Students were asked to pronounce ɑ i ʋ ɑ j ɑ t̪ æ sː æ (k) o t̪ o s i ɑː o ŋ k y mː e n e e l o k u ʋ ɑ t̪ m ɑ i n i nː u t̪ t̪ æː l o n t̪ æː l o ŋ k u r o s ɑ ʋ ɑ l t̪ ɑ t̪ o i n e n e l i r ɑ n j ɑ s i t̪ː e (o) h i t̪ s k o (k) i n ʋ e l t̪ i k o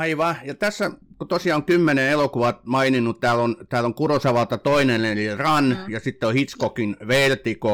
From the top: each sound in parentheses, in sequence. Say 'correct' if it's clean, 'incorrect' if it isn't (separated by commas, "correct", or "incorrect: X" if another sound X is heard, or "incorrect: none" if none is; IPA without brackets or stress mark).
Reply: correct, correct, correct